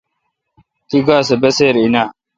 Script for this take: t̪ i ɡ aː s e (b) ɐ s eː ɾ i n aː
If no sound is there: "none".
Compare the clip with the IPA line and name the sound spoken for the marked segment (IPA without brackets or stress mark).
b